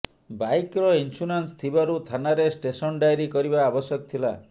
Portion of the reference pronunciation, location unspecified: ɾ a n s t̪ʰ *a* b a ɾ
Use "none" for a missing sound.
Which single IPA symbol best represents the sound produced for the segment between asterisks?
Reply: i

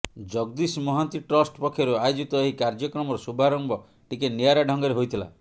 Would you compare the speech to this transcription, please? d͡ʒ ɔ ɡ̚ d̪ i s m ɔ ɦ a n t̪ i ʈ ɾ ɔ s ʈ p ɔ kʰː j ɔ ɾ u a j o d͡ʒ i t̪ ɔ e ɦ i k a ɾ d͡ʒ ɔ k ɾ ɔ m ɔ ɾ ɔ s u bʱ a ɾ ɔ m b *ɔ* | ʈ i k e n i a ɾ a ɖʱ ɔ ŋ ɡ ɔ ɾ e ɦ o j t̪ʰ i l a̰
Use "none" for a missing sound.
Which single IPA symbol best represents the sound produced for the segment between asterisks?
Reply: ɔ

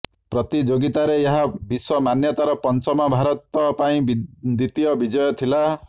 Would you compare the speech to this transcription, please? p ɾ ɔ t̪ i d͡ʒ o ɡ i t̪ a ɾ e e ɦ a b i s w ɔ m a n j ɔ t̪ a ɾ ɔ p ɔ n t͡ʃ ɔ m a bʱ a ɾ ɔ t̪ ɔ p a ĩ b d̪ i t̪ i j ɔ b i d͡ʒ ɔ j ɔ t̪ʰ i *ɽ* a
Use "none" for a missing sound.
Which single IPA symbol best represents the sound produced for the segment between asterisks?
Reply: l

